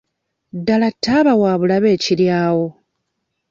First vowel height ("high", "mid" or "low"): low